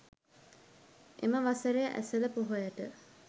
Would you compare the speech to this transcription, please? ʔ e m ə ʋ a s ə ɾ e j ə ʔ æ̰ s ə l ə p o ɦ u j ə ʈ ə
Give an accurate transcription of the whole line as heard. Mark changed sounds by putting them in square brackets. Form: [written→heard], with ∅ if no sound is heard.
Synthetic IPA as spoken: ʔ e m ə ʋ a s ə ɾ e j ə ʔ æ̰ s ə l ə p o ɦ [u→o] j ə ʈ ə